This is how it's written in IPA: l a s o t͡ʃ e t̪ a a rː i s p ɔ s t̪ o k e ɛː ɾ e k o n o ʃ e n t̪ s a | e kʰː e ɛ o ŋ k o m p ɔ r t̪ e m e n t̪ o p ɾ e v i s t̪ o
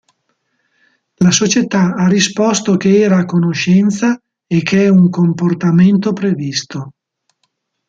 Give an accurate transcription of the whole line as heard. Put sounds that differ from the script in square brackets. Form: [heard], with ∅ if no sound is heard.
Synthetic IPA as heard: l a s o t͡ʃ e t̪ a a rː i s p ɔ s t̪ o k e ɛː ɾ [a] k o n o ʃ [ɛ] n t̪ s a | e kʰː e ɛ [u] ŋ k o m p [o] r t̪ [a] m e n t̪ o p ɾ e v i s t̪ o